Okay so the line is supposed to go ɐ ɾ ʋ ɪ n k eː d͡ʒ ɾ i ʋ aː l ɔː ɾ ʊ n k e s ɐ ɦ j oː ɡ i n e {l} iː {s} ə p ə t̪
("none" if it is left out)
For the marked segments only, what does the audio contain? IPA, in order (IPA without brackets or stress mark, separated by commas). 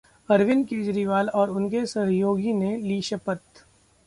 l, ʃ